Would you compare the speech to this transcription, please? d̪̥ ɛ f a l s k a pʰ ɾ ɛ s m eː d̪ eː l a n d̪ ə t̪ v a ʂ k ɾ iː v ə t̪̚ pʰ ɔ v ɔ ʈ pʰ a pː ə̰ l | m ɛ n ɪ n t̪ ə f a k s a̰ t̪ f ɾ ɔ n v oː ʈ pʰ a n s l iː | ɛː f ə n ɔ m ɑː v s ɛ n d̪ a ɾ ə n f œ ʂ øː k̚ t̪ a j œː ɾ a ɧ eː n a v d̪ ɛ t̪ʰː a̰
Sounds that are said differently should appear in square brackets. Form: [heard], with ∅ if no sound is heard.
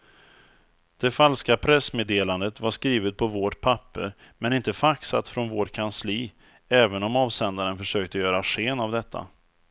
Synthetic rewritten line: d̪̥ ɛ f a l s k a pʰ ɾ ɛ s m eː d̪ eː l a n d̪ ə t̪ v a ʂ k ɾ iː v ə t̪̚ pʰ ɔ v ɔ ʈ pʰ a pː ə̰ [ɾ] | m ɛ n ɪ n t̪ ə f a k s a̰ t̪ f ɾ ɔ n v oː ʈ [kʰ] a n s l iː | ɛː [v] ə n ɔ m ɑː v s ɛ n d̪ a ɾ ə n f œ ʂ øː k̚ t̪ [ə] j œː ɾ a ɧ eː n a v d̪ ɛ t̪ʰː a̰